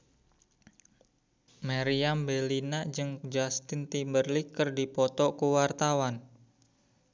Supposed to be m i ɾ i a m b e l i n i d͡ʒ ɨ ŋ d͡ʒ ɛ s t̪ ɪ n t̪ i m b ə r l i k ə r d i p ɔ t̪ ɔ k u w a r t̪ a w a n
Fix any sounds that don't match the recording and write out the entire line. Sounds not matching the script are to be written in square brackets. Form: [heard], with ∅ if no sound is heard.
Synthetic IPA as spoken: m [a] ɾ i a m b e l i n [a] d͡ʒ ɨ ŋ d͡ʒ [a] s t̪ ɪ n t̪ i m b ə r l i k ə r d i p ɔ t̪ ɔ k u w a r t̪ a w a n